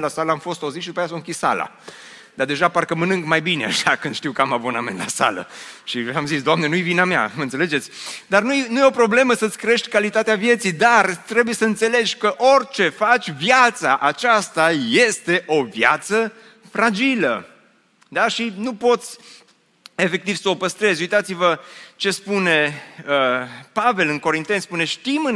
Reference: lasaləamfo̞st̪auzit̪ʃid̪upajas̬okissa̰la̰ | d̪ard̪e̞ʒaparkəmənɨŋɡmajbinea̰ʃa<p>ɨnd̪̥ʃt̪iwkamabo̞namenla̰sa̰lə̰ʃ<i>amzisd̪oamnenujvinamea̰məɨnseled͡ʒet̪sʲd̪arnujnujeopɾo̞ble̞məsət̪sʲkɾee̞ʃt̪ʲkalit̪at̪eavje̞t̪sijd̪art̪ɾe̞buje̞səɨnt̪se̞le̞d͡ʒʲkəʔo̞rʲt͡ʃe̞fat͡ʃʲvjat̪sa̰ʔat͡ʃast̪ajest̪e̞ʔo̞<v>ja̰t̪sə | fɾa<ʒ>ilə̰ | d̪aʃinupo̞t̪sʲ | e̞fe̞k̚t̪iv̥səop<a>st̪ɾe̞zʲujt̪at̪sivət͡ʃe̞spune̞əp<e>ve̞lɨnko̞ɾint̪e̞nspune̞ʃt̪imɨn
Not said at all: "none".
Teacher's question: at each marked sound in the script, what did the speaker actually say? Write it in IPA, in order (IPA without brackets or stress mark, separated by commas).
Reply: k, i, v, d͡ʒ, ə, a